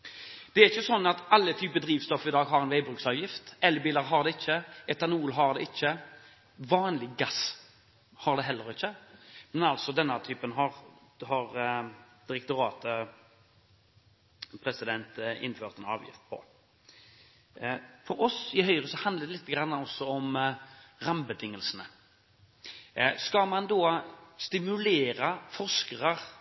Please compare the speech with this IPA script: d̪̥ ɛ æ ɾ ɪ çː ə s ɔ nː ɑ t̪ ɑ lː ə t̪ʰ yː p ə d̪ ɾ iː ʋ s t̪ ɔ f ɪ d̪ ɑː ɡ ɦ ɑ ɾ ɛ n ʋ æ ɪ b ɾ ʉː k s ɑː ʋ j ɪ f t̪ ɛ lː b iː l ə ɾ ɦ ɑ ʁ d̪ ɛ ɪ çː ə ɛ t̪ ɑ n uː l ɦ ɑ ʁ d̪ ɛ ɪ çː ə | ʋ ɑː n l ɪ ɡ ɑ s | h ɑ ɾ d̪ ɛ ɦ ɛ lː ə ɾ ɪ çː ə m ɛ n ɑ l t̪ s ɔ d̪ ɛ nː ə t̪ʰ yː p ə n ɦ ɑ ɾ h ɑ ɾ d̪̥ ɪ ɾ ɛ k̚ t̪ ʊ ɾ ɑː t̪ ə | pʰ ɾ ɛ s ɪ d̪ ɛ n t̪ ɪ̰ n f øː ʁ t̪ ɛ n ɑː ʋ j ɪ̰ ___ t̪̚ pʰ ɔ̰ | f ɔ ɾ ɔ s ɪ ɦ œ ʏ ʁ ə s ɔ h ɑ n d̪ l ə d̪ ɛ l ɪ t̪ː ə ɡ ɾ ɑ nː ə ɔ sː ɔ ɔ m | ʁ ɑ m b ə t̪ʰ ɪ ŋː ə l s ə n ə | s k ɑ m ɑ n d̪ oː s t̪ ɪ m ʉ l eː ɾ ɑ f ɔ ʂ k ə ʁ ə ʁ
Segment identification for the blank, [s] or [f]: f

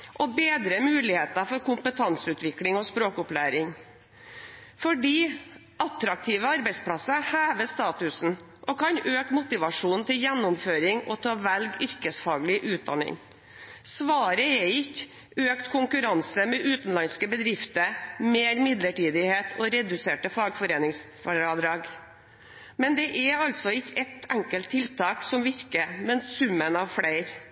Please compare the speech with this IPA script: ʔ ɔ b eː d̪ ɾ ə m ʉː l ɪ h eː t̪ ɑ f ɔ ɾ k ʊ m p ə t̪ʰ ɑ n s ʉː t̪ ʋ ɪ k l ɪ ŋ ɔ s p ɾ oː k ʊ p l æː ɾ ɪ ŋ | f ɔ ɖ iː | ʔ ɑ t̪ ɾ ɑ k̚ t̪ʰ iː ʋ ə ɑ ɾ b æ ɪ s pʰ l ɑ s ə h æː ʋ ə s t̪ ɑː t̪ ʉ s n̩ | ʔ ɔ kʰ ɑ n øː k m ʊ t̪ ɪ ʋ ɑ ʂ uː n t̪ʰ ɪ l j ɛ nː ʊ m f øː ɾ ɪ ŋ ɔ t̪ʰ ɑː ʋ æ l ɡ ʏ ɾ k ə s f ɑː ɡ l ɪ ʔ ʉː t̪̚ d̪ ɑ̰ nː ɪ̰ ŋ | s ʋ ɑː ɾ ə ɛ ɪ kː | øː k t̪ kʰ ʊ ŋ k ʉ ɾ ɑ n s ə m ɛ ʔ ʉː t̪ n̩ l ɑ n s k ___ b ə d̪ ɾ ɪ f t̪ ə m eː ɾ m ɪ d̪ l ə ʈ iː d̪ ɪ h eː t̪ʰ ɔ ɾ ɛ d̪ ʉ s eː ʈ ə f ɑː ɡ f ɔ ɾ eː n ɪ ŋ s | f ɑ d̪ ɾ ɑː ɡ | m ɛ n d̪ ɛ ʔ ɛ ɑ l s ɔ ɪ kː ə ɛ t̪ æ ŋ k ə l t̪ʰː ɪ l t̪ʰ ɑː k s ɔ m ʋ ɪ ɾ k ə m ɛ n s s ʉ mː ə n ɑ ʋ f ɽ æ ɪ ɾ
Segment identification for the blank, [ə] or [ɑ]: ə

